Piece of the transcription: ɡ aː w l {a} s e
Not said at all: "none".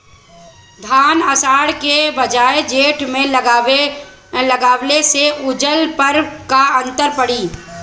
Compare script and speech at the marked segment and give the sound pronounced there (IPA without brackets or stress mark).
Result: e